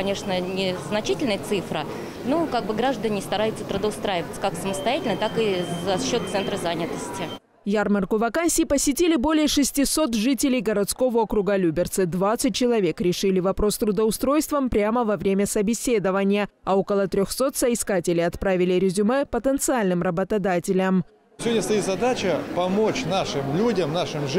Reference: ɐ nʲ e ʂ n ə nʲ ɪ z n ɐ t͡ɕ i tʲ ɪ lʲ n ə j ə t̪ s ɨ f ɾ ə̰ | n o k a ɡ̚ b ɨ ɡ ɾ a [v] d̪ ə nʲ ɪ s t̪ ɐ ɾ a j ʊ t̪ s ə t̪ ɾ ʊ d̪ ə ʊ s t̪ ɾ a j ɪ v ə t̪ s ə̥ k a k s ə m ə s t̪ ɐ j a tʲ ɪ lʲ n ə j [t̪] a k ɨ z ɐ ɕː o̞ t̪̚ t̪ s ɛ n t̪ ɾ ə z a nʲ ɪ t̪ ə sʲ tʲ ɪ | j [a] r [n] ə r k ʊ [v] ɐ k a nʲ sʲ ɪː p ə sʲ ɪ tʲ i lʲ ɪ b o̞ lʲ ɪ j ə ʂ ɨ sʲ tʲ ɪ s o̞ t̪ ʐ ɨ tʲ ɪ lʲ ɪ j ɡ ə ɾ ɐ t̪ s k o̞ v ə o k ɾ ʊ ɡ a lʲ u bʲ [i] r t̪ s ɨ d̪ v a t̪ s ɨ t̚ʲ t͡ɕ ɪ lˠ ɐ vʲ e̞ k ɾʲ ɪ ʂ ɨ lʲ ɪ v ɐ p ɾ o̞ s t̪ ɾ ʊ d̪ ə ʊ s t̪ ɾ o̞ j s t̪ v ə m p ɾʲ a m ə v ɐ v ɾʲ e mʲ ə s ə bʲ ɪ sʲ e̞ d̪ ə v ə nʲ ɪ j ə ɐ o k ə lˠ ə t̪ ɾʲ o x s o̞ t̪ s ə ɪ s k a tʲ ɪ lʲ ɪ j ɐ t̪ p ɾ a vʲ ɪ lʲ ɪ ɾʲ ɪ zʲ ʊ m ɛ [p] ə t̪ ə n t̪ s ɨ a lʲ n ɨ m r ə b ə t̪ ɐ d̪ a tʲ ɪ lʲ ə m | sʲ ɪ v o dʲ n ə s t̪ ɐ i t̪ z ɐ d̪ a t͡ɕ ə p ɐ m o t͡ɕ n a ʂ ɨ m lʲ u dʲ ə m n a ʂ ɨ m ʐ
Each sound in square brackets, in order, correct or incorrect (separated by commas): incorrect, correct, correct, incorrect, correct, incorrect, correct